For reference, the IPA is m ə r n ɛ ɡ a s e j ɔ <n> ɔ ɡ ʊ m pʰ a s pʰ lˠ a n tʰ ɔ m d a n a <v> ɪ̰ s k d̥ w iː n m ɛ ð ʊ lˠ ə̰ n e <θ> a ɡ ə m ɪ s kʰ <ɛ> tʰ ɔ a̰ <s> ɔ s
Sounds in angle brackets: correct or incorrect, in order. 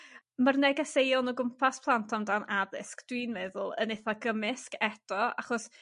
correct, incorrect, correct, correct, incorrect

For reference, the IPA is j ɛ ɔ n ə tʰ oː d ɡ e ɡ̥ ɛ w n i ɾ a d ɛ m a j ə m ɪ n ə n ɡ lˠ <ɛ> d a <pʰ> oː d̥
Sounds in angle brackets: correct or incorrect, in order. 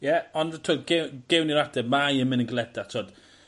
correct, incorrect

